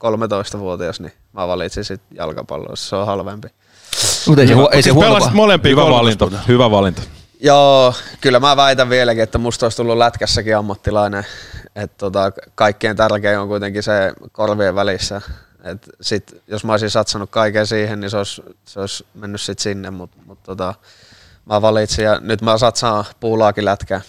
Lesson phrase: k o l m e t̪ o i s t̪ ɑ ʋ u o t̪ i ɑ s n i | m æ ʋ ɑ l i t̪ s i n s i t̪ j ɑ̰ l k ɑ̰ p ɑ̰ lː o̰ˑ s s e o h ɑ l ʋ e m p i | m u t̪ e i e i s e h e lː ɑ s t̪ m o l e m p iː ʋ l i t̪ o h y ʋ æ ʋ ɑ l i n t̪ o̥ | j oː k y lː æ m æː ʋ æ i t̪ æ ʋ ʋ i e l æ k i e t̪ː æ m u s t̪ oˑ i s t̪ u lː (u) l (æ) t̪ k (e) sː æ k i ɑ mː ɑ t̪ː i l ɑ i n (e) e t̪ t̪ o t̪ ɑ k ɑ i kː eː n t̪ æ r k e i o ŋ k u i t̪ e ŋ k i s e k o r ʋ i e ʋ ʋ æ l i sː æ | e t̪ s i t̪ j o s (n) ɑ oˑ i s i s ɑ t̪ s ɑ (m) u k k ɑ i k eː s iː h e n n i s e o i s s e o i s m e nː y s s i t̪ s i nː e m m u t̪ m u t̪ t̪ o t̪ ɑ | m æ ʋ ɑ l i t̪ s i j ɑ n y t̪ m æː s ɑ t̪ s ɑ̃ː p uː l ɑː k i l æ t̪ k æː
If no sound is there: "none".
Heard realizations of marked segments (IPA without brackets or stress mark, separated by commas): u, æ, æ, e, m, n